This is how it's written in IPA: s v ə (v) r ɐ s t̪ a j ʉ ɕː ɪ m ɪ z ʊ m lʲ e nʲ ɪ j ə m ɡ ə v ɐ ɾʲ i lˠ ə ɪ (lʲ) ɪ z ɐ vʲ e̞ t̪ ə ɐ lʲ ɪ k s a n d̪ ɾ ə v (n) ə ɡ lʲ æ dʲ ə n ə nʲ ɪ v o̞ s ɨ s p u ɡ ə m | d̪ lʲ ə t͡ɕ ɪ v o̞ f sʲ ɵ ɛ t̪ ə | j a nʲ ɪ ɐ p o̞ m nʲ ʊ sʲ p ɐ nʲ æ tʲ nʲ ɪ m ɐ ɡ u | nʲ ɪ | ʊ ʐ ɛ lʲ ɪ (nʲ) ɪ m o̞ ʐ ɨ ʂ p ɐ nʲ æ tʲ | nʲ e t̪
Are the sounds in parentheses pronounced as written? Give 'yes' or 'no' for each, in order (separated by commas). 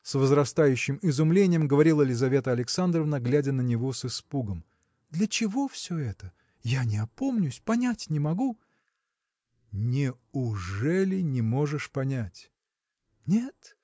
no, yes, yes, yes